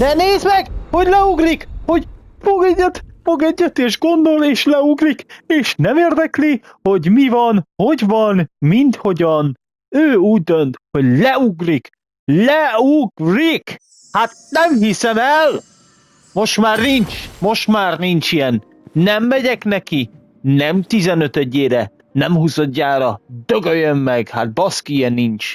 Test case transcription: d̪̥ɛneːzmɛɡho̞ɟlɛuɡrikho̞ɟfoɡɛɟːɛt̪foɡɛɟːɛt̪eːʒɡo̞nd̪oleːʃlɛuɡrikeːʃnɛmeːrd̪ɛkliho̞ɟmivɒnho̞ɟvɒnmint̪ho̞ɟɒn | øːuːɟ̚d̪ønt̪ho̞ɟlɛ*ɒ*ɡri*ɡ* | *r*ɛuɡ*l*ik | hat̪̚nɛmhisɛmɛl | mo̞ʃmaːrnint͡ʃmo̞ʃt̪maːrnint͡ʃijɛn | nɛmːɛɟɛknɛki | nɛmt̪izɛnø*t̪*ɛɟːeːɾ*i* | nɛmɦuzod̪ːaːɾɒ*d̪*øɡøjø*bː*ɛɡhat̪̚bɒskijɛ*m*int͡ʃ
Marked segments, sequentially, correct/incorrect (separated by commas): incorrect, incorrect, incorrect, incorrect, correct, incorrect, correct, incorrect, incorrect